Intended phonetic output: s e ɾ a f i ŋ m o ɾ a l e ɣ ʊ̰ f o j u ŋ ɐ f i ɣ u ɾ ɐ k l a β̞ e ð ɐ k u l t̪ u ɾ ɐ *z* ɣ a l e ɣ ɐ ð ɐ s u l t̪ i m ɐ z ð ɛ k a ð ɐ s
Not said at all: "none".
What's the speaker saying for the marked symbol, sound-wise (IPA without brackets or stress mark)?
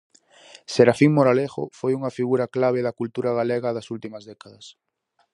none